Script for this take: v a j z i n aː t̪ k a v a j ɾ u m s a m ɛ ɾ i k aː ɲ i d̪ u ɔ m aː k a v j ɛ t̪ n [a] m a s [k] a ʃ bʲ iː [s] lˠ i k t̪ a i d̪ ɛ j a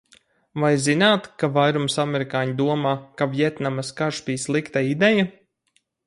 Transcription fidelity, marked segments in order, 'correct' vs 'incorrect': correct, correct, correct

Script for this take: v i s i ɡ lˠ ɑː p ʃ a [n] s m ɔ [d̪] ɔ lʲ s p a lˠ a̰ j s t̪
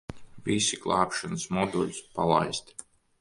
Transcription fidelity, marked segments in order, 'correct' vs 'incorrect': correct, correct

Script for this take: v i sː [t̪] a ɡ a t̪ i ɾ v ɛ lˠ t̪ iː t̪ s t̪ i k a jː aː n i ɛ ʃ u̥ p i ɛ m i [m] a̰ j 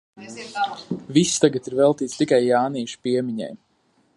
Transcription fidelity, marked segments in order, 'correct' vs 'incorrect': correct, incorrect

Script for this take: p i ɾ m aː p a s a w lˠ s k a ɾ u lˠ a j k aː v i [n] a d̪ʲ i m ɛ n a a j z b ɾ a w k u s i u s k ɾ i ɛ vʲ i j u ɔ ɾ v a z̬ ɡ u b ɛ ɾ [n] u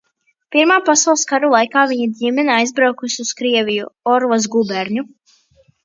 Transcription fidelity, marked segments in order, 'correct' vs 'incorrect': incorrect, incorrect

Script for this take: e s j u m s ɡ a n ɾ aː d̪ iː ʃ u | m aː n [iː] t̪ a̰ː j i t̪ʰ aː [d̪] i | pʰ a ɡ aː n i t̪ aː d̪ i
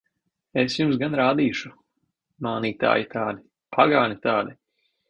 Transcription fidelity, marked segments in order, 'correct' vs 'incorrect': correct, correct

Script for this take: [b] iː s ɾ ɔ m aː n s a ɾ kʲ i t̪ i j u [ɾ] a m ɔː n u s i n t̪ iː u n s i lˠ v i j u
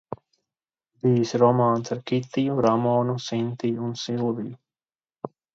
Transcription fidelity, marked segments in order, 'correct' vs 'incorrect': correct, correct

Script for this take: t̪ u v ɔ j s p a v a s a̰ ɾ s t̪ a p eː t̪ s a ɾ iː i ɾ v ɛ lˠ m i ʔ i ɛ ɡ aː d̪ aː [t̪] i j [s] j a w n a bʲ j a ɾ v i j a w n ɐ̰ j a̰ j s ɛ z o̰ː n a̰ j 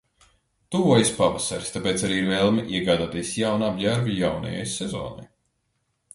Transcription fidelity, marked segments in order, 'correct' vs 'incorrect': correct, correct

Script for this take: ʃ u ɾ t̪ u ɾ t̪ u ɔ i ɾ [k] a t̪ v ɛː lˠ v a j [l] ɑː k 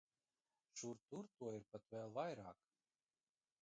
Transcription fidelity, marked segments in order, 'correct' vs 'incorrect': incorrect, incorrect

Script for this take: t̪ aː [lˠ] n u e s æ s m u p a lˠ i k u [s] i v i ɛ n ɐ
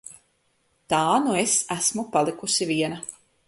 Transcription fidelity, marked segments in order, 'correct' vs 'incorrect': incorrect, correct

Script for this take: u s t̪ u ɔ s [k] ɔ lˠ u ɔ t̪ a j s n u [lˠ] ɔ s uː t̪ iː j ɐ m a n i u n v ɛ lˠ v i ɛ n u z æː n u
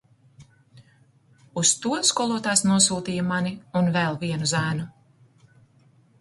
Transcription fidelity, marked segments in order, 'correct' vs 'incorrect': correct, incorrect

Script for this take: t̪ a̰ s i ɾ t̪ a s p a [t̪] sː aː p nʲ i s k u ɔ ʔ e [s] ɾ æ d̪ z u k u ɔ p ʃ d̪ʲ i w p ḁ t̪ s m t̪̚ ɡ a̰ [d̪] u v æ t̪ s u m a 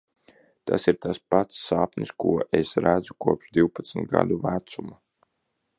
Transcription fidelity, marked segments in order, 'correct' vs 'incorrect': correct, correct, correct

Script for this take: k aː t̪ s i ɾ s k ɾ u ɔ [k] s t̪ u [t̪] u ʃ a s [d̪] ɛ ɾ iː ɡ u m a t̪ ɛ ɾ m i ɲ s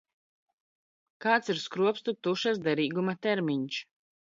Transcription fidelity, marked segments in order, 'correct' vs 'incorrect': incorrect, correct, correct

